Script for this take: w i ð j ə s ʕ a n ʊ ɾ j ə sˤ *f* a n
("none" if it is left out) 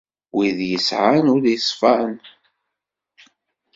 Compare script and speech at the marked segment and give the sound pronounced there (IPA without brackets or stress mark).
f